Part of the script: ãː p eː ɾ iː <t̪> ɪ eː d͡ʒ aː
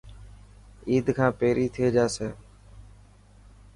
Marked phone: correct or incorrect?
incorrect